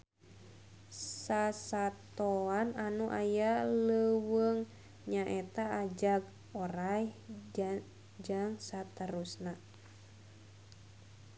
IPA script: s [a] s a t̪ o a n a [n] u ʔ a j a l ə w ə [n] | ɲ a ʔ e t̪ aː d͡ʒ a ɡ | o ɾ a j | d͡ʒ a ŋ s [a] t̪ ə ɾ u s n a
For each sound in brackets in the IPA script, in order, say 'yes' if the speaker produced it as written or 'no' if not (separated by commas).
yes, yes, no, yes